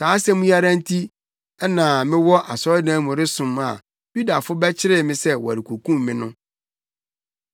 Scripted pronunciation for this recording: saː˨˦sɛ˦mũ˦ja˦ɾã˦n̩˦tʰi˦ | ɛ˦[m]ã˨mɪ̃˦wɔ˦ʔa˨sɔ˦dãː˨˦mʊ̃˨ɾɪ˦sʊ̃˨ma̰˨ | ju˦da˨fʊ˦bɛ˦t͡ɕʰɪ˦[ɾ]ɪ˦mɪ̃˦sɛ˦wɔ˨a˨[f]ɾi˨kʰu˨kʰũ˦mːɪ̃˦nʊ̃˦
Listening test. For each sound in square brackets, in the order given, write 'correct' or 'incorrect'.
incorrect, correct, incorrect

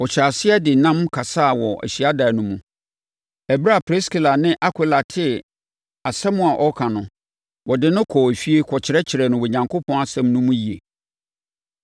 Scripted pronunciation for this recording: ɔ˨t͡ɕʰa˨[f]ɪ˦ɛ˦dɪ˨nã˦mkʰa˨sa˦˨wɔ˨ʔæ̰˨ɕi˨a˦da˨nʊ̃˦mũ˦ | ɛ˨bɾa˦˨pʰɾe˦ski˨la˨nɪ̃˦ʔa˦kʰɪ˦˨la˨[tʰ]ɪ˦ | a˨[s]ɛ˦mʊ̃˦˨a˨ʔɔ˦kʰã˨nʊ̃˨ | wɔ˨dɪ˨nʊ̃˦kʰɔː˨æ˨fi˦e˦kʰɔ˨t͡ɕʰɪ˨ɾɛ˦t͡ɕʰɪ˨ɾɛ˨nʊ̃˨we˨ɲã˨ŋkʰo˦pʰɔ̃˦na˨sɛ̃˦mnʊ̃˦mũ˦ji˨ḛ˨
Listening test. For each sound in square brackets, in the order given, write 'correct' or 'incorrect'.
incorrect, correct, correct

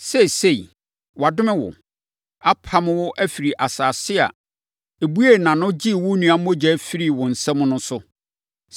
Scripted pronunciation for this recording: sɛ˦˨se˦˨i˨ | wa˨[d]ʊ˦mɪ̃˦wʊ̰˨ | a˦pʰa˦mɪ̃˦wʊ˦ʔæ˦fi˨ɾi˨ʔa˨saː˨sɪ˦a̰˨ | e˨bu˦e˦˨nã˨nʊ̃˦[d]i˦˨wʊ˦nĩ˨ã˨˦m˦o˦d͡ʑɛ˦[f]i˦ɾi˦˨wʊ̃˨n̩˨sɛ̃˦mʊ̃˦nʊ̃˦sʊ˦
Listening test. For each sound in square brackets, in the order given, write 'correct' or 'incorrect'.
correct, incorrect, correct

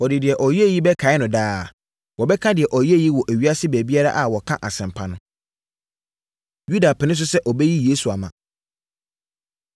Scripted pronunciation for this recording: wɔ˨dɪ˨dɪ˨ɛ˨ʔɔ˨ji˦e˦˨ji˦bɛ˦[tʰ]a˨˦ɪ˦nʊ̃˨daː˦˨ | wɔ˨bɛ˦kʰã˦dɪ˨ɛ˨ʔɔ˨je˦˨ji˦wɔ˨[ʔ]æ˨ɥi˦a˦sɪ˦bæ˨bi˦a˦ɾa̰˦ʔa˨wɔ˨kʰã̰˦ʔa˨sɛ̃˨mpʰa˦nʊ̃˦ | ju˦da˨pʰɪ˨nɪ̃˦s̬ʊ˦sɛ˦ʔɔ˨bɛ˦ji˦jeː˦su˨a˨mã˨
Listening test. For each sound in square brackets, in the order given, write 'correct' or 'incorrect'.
incorrect, correct

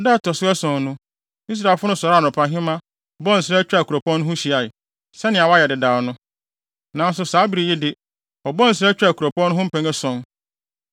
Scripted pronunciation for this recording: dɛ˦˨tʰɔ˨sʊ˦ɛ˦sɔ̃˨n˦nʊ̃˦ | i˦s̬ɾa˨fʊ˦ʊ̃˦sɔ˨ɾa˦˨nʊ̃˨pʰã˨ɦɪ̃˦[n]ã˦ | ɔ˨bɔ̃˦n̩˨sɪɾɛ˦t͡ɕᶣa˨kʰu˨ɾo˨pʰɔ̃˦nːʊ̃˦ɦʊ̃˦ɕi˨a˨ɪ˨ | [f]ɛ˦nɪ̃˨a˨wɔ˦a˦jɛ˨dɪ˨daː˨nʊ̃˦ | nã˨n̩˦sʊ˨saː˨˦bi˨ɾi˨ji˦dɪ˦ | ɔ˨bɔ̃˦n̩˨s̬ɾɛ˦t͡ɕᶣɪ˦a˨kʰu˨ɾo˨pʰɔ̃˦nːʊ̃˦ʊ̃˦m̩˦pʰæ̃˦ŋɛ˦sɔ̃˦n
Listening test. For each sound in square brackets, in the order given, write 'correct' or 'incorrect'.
incorrect, incorrect

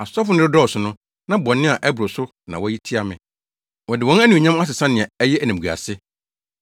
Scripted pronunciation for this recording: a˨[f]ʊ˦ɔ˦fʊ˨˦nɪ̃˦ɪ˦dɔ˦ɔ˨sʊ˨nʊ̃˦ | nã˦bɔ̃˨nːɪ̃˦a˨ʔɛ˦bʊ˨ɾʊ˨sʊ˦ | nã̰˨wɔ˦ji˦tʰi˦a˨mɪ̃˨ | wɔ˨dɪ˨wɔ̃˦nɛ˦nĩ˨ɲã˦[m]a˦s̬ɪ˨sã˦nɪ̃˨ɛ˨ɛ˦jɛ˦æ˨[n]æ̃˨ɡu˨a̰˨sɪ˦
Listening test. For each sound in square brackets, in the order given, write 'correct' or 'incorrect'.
incorrect, correct, correct

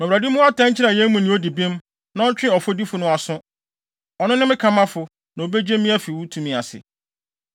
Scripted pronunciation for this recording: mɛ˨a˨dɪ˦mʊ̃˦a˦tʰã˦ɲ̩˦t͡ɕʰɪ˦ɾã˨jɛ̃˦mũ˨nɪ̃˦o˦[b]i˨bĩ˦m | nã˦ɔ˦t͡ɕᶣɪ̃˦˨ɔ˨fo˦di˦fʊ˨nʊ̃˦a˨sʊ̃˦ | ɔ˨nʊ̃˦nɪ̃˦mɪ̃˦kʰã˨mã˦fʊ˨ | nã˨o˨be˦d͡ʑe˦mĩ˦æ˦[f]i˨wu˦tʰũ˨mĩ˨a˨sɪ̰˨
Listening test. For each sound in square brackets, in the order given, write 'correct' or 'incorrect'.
incorrect, correct

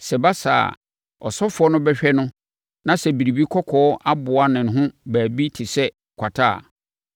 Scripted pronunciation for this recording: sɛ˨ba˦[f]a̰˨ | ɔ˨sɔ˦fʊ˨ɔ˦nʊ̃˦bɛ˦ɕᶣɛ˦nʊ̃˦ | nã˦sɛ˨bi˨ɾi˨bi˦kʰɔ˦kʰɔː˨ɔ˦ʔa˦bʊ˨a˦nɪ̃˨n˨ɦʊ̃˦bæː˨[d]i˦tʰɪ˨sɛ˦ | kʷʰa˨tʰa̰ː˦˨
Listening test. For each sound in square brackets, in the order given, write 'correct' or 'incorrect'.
incorrect, incorrect

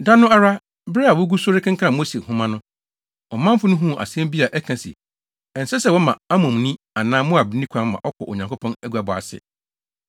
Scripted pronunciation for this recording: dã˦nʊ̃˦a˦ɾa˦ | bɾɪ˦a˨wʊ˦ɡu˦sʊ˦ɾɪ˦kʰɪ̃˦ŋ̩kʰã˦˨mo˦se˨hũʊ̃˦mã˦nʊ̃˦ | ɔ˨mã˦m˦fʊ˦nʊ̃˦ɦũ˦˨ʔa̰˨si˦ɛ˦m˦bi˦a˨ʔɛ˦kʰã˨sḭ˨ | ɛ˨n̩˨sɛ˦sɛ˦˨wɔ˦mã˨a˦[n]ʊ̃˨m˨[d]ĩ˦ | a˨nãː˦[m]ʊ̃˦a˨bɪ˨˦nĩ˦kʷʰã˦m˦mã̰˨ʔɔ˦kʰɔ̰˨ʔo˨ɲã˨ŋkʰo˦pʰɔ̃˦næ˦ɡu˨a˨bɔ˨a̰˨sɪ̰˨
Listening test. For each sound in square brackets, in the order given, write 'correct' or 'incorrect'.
incorrect, incorrect, correct

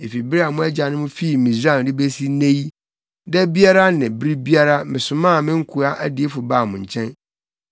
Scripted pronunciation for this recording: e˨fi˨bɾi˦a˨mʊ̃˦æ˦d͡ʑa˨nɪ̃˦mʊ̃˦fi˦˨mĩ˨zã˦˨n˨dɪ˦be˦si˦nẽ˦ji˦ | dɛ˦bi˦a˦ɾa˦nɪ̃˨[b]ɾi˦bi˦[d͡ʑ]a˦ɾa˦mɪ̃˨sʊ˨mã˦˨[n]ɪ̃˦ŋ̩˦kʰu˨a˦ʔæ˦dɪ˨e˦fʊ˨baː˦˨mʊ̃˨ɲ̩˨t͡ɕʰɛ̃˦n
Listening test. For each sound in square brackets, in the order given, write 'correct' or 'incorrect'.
correct, incorrect, incorrect

